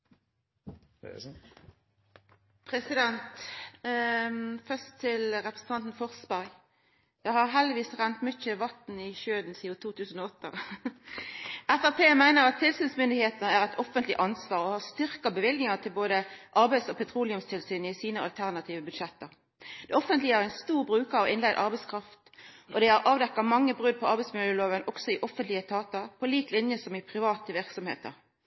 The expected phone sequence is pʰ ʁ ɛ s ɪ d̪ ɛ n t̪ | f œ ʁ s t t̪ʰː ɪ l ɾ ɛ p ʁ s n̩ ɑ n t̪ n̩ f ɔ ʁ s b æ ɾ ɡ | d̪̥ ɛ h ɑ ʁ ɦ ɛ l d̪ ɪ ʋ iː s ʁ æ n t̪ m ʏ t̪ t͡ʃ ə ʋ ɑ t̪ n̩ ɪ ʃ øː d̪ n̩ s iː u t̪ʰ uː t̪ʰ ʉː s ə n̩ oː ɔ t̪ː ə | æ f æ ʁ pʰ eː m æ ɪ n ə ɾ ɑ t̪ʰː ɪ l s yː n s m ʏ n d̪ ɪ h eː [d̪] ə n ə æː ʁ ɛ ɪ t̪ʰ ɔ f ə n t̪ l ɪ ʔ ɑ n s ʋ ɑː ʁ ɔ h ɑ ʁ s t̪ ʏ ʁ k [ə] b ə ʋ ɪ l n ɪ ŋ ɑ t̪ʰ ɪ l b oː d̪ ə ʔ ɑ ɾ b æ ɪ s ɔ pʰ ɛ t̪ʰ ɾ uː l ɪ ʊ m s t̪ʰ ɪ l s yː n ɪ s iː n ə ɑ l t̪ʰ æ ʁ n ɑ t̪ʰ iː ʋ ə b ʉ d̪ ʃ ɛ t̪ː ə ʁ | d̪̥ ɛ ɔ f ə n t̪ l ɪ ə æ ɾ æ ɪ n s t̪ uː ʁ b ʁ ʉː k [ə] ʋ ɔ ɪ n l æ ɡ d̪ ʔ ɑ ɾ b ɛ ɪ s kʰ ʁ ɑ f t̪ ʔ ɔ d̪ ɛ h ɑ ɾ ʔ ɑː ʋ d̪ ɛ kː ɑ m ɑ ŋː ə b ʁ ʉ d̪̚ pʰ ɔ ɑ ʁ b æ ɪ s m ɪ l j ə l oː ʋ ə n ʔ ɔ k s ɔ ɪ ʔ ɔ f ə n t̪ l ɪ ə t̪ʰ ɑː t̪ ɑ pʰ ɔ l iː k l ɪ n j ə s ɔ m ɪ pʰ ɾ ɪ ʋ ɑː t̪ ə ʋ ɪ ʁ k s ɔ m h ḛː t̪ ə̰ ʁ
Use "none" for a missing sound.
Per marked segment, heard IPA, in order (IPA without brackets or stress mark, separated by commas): t̪, ɑ, ɑ